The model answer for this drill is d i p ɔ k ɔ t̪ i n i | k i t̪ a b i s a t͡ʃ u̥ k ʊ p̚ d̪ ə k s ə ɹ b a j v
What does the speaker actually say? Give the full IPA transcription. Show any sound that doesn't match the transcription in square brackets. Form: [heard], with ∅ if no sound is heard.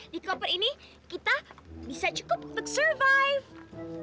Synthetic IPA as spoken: d i [k] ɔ [p] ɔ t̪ i n i | k i t̪ a b i s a t͡ʃ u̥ k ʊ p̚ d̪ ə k s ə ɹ [v] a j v